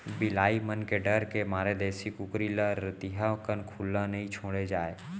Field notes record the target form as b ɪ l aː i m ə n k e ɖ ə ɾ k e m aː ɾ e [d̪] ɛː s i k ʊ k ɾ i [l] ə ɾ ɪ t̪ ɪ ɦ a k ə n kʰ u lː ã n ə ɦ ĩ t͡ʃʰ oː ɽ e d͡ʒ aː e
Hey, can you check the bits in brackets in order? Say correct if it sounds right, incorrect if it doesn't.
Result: correct, correct

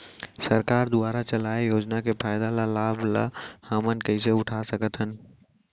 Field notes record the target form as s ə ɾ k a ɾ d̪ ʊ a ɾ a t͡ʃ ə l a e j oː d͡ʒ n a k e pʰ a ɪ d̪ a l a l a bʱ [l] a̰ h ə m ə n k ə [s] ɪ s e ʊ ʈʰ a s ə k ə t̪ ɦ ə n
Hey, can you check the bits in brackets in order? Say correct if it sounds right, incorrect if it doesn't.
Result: correct, incorrect

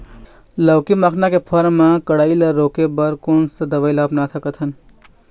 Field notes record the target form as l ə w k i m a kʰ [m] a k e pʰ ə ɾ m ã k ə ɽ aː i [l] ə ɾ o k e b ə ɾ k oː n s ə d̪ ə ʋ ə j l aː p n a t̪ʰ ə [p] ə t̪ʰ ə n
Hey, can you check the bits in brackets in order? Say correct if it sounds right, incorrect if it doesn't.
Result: incorrect, correct, incorrect

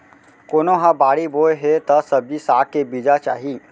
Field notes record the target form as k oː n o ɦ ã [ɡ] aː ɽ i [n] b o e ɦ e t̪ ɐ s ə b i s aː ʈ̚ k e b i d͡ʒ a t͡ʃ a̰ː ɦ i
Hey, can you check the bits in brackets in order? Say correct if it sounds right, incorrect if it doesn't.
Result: incorrect, incorrect

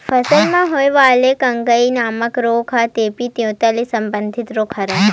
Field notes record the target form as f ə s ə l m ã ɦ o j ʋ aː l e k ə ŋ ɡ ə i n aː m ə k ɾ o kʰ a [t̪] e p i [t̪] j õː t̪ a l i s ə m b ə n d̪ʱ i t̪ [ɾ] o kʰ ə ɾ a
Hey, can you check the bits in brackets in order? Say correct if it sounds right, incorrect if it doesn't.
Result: correct, correct, correct

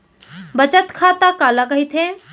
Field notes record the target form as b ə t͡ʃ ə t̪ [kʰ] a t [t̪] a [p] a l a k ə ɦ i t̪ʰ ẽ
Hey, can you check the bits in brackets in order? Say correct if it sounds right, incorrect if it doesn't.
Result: correct, incorrect, incorrect

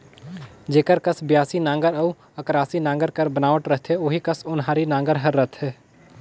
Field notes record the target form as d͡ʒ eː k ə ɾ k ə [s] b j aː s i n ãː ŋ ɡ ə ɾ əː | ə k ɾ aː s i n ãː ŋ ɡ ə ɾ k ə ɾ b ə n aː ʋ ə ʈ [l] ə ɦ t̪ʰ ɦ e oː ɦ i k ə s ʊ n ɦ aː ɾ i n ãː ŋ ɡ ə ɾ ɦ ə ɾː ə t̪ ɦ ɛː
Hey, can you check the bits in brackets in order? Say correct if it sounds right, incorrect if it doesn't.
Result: correct, incorrect

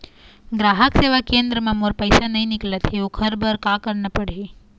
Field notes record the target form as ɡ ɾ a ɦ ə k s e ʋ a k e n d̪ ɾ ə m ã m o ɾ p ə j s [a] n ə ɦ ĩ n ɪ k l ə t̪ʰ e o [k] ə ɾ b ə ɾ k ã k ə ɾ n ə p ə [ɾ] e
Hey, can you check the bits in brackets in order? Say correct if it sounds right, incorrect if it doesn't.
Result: correct, incorrect, incorrect

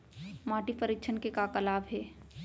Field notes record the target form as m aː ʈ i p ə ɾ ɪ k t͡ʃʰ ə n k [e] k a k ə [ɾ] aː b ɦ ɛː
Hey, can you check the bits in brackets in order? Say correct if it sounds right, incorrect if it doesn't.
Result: correct, incorrect

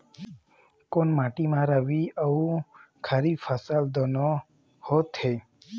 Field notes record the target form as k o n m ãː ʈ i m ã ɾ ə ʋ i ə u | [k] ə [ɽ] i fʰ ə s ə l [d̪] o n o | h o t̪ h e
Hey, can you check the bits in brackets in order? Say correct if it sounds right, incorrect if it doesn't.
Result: incorrect, incorrect, correct

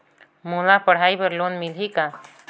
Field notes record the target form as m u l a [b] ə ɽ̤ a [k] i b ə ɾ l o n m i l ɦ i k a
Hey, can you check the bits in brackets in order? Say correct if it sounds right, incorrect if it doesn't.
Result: incorrect, incorrect

